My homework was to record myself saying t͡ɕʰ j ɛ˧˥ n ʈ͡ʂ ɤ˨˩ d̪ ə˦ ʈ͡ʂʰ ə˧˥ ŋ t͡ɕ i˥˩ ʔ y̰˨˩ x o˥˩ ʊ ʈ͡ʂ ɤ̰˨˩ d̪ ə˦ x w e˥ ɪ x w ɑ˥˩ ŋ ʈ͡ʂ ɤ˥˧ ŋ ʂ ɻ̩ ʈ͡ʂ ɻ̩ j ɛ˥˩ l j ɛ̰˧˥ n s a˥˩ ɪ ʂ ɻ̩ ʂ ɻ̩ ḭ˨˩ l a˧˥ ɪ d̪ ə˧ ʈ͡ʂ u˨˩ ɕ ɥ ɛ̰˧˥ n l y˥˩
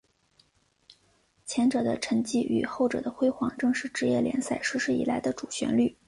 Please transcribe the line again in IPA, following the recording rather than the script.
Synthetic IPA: t͡ɕʰ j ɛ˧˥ n ʈ͡ʂ ɤ˨˩ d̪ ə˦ ʈ͡ʂʰ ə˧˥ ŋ t͡ɕ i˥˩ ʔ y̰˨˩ x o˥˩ ʊ ʈ͡ʂ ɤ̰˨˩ d̪ ə˦ x w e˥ ɪ x w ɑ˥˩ ŋ ʈ͡ʂ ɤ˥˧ ŋ ʂ ɻ̩ ʈ͡ʂ ɻ̩ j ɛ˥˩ l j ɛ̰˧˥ n s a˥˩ ɪ ʂ ɻ̩ ʂ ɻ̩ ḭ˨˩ l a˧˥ ɪ d̪ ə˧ ʈ͡ʂ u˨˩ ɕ ɥ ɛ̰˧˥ n l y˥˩